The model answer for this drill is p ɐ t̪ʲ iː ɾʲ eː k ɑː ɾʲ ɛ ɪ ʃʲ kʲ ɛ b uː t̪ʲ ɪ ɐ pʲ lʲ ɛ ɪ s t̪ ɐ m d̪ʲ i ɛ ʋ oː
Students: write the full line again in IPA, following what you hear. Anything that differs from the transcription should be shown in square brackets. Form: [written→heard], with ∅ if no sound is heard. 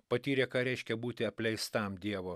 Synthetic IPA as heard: p ɐ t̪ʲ iː ɾʲ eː k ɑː ɾʲ ɛ ɪ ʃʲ kʲ ɛ b uː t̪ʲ ɪ ɐ pʲ lʲ ɛ ɪ s t̪ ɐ m d̪ʲ i ɛ ʋ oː